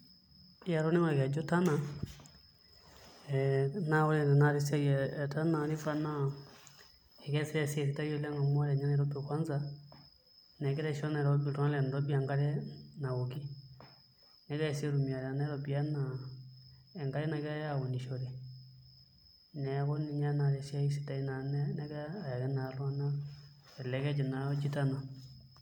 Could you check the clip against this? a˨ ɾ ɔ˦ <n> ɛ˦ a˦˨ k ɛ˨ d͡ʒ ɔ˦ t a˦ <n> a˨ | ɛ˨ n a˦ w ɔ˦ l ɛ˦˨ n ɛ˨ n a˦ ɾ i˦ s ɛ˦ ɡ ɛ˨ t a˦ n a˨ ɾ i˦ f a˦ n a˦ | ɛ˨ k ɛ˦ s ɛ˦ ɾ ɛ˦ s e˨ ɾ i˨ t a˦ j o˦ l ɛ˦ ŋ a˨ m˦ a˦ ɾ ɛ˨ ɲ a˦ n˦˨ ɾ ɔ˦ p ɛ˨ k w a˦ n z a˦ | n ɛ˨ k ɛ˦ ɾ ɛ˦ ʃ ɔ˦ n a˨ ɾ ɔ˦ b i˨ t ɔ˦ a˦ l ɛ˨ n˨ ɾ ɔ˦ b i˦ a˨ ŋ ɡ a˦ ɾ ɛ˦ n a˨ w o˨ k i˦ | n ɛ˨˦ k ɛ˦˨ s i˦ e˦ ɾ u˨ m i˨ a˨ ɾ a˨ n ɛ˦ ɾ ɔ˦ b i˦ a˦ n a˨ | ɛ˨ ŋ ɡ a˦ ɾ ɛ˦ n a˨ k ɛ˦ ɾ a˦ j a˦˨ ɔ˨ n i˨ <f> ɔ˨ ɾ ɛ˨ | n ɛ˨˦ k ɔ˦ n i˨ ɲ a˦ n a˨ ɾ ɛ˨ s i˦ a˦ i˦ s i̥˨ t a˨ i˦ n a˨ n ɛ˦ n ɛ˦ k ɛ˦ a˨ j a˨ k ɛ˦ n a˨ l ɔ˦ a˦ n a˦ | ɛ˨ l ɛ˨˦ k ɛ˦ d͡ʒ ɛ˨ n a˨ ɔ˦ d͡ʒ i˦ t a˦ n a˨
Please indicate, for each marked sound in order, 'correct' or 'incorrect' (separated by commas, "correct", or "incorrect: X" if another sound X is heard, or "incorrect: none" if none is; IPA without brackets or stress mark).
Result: correct, correct, incorrect: ʃ